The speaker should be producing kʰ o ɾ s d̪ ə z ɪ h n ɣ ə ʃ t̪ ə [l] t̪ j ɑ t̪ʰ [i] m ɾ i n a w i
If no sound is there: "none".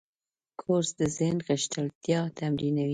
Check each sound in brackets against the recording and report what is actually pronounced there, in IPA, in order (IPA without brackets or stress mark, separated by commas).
l, a